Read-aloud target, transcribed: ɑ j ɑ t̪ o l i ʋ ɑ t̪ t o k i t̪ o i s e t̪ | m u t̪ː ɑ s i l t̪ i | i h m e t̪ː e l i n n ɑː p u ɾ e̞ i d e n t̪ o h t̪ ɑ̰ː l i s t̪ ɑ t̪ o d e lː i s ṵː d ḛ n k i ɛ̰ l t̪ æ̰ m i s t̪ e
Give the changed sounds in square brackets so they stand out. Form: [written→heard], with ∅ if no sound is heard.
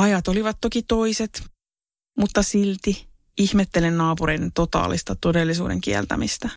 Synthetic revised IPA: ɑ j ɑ t̪ o l i ʋ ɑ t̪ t o k i t̪ o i s e t̪ | m u t̪ː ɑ s i l t̪ i | i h m e t̪ː e l [i→e] n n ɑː p u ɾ e̞ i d e n t̪ o [h→∅] t̪ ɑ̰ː l i s t̪ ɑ t̪ o d e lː i s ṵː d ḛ [n→ŋ] k i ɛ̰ l t̪ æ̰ m i s t̪ [e→æ]